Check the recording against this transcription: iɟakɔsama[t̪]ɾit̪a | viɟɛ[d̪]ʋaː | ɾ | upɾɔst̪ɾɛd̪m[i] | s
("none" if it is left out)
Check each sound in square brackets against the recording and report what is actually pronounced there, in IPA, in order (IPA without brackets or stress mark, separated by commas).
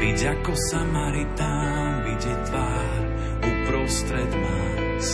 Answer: none, t̪, a